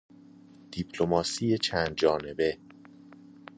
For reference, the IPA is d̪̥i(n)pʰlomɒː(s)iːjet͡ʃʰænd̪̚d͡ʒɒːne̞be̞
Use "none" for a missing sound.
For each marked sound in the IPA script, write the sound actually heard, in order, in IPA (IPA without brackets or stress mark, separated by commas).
none, s